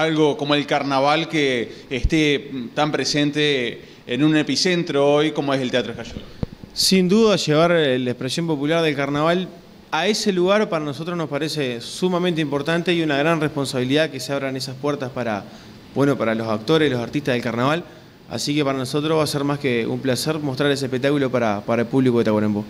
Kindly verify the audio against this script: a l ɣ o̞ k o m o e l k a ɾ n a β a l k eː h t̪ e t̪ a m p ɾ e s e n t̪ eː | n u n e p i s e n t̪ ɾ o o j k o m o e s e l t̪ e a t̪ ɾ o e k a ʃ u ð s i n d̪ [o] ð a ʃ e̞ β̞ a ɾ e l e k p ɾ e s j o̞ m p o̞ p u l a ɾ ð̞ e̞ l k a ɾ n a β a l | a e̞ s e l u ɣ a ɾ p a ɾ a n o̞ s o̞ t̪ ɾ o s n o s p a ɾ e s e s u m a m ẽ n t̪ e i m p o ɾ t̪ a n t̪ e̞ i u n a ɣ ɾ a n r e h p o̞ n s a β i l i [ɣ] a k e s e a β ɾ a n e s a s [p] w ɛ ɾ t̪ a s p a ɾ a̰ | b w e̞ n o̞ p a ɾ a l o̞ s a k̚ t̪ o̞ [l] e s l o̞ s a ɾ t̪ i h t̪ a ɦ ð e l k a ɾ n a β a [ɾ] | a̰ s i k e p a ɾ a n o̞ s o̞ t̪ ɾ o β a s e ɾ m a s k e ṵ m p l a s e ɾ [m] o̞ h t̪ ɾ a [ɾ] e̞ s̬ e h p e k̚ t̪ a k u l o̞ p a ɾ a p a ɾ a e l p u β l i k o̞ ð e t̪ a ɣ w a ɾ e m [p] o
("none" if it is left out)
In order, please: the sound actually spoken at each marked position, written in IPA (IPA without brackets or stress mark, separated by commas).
u, ð, p, ɾ, l, m, ɾ, b